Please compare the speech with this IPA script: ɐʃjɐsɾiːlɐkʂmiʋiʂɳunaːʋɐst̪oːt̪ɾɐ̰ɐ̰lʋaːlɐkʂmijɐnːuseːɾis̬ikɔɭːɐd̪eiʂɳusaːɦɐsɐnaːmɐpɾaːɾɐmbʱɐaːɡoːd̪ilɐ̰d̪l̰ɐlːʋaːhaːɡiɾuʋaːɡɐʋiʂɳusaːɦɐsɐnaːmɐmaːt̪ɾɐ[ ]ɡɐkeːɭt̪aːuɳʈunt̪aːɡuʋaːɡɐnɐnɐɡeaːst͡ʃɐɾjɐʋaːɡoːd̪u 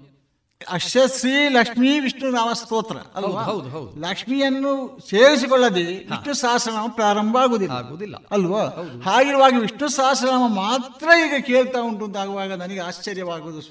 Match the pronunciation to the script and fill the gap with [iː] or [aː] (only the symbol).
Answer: iː